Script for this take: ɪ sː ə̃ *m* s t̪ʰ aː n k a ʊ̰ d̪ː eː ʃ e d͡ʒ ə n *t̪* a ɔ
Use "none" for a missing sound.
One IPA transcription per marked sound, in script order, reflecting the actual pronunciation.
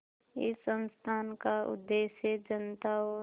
n, t̪

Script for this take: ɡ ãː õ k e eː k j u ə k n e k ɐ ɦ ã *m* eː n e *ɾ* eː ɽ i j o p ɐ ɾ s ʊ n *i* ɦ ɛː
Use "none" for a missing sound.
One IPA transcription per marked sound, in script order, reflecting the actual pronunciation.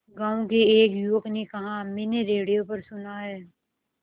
m, ɾ, a

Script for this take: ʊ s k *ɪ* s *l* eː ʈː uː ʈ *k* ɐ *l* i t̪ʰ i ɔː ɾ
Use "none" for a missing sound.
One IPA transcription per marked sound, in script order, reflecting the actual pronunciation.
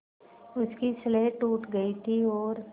i, l, ɡ, none

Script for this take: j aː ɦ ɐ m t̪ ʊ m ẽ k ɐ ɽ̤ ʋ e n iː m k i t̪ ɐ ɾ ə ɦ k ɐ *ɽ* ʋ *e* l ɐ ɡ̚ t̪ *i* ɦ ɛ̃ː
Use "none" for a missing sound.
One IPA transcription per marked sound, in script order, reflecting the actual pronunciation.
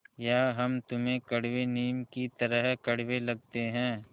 ɽ, e, e

